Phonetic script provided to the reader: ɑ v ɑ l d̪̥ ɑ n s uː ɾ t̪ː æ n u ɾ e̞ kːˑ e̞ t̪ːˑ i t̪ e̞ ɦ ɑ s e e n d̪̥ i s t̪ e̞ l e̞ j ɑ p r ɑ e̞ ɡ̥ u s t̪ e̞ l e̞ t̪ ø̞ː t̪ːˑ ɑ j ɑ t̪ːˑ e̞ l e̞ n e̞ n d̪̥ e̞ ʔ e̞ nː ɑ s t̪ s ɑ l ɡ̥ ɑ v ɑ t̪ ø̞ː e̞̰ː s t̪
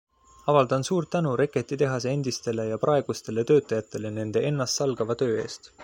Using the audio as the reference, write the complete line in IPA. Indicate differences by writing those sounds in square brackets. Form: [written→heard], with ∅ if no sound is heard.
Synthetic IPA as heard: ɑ v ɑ l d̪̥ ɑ n s uː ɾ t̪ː æ n u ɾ e̞ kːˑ e̞ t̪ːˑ i t̪ e̞ ɦ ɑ s e e n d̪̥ i s t̪ e̞ l e̞ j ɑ p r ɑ e̞ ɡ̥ u s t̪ e̞ l e̞ t̪ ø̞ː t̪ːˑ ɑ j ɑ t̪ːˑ e̞ l e̞ n e̞ n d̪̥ e̞ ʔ e̞ nː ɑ s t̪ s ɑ l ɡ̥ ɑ v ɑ t̪ ø̞ː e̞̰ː s t̪